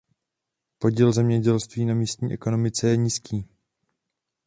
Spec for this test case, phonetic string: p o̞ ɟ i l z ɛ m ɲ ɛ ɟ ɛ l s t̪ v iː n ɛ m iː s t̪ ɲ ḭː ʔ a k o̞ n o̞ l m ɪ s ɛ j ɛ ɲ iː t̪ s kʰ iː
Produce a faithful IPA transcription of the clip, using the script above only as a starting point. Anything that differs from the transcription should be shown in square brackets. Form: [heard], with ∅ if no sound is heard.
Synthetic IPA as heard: p o̞ ɟ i l z ɛ m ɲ ɛ ɟ ɛ l s t̪ v iː n [a] m iː s t̪ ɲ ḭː ʔ [ɛ] k o̞ n o̞ [∅] m ɪ [t͡s] ɛ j ɛ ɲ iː [∅] s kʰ iː